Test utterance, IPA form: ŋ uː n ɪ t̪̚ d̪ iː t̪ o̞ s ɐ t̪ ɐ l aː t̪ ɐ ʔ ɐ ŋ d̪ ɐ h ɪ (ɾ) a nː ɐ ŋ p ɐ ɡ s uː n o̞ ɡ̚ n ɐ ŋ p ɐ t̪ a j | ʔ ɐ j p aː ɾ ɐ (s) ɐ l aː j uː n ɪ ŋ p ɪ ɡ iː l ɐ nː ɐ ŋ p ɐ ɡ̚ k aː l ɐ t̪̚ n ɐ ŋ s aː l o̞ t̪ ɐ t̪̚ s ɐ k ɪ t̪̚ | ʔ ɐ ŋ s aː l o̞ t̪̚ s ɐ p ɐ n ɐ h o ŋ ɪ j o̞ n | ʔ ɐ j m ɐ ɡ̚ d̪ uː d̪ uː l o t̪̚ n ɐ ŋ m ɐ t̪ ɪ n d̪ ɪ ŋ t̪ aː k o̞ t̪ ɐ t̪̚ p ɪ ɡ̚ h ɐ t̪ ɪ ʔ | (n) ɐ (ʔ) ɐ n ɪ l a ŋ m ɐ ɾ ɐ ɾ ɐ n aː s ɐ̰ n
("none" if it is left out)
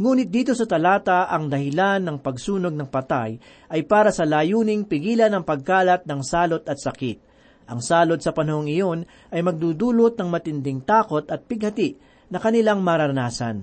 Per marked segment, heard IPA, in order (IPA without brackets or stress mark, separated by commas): l, s, n, k